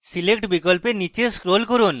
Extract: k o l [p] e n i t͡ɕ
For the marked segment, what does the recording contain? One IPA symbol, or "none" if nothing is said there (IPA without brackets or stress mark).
p